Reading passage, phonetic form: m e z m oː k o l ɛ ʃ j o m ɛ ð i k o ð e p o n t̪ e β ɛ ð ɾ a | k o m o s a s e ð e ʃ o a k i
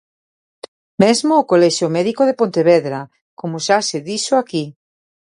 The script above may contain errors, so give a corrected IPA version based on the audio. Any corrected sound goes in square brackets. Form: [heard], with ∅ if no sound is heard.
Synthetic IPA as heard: m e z m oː k o l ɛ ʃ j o m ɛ ð i k o ð e p o n t̪ e β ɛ ð ɾ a | k o m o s a s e ð [i] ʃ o a k i

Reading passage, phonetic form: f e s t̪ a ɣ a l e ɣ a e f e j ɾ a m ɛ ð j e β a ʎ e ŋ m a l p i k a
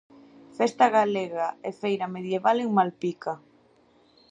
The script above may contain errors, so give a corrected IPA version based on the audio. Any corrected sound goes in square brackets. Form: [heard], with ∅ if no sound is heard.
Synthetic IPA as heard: f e s t̪ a ɣ a l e ɣ a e f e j ɾ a m [e] ð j e β a [l] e ŋ m a l p i k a

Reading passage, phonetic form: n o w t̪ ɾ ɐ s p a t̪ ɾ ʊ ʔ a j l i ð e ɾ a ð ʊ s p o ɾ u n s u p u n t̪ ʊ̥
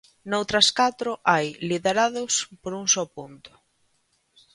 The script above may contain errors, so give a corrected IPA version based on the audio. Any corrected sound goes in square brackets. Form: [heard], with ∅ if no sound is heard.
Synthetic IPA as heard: n o w t̪ ɾ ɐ s [k] a t̪ ɾ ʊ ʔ a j l i ð e ɾ a ð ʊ s p o ɾ u [ŋ] s [ɔ] p u n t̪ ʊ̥

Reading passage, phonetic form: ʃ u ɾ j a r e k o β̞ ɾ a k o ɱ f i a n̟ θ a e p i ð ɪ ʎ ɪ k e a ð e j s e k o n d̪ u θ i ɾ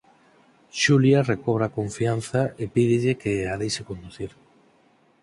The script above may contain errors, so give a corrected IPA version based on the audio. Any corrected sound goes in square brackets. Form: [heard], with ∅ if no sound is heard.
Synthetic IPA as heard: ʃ u [l] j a r e k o β̞ ɾ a k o ɱ f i a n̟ θ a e p i ð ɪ ʎ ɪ k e a ð e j s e k o n d̪ u θ i ɾ

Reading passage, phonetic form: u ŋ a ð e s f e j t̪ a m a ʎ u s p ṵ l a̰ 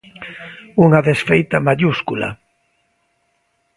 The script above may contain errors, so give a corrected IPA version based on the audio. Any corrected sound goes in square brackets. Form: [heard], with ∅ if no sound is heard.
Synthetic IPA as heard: u ŋ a ð e s f e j t̪ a m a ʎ u s [k] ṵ l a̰

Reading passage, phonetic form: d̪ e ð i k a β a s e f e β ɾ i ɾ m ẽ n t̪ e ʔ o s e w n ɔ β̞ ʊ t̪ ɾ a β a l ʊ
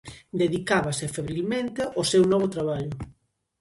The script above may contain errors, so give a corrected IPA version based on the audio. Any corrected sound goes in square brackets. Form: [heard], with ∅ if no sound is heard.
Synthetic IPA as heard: d̪ e ð i k a β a s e f e β ɾ i [l] m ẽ n t̪ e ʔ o s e w n ɔ β̞ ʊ t̪ ɾ a β a [ʎ] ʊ

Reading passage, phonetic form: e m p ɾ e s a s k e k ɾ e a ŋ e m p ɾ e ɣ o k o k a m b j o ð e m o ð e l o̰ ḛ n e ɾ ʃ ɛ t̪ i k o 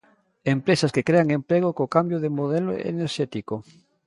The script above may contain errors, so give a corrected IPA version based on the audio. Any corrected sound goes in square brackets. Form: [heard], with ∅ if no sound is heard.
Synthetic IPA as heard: e m p ɾ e s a s k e k ɾ e a ŋ e m p ɾ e ɣ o k o k a m b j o ð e m o ð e l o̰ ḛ n e ɾ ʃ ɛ t̪ i k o

